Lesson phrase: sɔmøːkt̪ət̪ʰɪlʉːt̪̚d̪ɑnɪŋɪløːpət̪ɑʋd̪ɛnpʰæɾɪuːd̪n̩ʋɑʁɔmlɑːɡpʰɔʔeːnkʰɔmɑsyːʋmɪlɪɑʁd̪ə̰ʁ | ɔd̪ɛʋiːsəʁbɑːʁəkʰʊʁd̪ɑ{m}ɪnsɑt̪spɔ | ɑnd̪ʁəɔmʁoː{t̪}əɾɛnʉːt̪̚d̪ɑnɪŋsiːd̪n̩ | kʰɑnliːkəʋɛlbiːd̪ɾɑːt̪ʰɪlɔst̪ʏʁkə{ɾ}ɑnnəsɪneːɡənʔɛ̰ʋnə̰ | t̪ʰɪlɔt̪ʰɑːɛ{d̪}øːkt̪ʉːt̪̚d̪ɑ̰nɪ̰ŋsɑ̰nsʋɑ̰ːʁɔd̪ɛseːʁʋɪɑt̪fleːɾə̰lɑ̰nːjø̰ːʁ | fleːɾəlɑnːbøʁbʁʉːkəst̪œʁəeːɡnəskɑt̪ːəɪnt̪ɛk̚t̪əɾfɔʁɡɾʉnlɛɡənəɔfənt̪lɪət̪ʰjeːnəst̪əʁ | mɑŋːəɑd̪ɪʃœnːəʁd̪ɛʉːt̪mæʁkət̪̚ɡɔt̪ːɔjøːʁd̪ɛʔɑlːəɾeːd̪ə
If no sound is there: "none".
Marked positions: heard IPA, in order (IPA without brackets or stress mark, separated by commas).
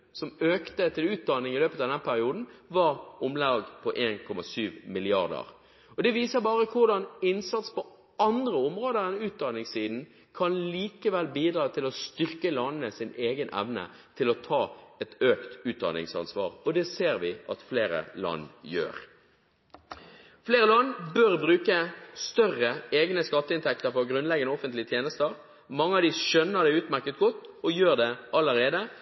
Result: n, d̪, l, t̪